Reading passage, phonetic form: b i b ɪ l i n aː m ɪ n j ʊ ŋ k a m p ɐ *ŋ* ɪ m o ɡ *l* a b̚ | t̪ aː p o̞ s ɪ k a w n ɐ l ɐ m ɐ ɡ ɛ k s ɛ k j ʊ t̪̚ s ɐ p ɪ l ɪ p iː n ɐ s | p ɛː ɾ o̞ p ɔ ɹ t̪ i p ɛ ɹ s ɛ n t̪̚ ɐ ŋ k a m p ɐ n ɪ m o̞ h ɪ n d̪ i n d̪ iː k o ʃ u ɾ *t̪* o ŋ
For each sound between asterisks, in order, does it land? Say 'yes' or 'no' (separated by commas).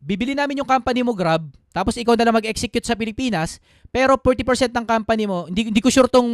no, no, yes